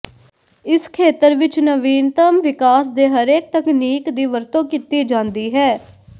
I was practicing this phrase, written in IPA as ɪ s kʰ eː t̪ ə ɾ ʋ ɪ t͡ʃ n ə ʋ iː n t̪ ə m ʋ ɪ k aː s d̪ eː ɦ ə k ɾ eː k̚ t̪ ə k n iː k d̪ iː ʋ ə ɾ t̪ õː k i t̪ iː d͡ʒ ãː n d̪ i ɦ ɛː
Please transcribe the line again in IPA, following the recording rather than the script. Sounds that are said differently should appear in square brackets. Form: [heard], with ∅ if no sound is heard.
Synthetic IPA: ɪ s kʰ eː t̪ ə ɾ ʋ ɪ t͡ʃ n ə ʋ iː n t̪ ə m ʋ ɪ k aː s d̪ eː ɦ ə [∅] ɾ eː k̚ t̪ ə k n iː k d̪ iː ʋ ə ɾ t̪ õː k i t̪ iː d͡ʒ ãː n d̪ [iː] ɦ ɛː